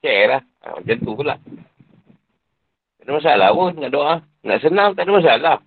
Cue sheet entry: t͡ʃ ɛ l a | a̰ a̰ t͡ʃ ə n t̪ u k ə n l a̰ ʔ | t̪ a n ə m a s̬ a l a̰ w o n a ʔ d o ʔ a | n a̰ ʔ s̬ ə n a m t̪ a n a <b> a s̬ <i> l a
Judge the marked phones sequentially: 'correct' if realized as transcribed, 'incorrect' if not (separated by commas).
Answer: incorrect, incorrect